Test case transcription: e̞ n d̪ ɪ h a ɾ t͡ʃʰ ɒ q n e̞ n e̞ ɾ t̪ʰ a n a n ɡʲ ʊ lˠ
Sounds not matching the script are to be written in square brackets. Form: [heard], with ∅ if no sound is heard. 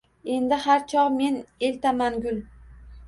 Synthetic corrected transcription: e̞ n d̪ ɪ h a ɾ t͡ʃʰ ɒ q [m] e̞ n e̞ [l] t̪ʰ a [m] a n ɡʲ ʊ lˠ